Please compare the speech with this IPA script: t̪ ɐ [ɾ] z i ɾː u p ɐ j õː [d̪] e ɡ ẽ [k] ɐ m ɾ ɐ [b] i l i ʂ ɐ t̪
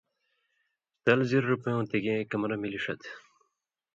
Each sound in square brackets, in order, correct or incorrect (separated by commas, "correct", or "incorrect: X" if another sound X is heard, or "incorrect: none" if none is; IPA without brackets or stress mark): incorrect: l, incorrect: t̪, correct, incorrect: m